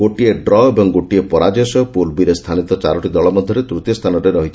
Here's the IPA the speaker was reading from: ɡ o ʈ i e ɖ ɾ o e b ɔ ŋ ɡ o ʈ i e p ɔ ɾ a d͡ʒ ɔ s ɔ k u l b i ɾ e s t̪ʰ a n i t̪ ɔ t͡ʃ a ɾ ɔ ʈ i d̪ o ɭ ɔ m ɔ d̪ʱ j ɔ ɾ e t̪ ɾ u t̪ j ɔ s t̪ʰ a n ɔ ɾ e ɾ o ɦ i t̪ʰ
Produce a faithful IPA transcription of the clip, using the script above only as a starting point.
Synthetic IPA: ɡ o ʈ i e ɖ ɾ ɔ e b ɔ ŋ ɡ o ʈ i e p ɔ ɾ a d͡ʒ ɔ s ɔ p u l b i ɾ e s t̪ʰ a n i t̪ ɔ t͡ʃ a ɾ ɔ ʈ i d̪ ɔ ɭ ɔ m ɔ d̪ʱ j ɔ ɾ e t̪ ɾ u t̪ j ɔ s t̪ʰ a n ɔ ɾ e ɾ ɔ ɦ i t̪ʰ